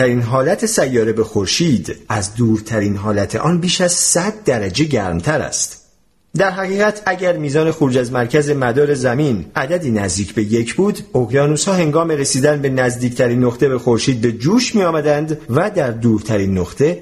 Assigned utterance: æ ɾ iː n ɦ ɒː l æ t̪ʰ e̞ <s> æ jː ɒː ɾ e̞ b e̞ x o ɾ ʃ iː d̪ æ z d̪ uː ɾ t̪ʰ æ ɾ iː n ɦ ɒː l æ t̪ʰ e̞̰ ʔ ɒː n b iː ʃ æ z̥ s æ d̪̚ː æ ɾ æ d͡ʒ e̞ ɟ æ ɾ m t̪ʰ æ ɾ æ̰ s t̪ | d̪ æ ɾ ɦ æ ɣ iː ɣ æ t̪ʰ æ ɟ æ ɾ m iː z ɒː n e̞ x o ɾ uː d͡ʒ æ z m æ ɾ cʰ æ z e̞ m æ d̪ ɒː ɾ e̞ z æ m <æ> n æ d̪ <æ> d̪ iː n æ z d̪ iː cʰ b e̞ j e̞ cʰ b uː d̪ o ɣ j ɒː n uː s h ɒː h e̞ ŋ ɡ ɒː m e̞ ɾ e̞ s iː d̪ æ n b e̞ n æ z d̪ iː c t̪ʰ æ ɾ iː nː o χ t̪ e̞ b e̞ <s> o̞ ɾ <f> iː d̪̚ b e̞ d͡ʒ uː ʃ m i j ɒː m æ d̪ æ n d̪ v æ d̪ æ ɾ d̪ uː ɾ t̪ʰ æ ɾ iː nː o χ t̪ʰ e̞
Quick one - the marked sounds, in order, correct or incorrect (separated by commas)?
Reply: correct, incorrect, correct, incorrect, incorrect